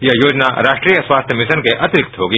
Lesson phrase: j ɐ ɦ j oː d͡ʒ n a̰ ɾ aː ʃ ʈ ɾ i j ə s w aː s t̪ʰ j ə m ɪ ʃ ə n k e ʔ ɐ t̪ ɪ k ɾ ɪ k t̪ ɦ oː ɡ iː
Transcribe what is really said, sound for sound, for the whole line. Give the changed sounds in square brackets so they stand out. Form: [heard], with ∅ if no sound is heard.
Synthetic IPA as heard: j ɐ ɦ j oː d͡ʒ n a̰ ɾ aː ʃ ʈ ɾ i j ə s w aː s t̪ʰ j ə m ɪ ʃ ə n k e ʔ ɐ t̪ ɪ [∅] ɾ ɪ k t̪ ɦ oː ɡ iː